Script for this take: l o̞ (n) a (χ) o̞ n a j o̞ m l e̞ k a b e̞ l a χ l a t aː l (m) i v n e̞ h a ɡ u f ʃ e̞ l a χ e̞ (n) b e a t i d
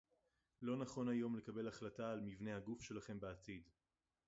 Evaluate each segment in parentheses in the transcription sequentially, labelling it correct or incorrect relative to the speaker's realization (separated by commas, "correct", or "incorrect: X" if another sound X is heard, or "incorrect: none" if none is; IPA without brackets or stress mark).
correct, correct, correct, incorrect: m